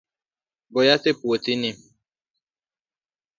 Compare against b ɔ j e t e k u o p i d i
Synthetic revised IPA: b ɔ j a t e p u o t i n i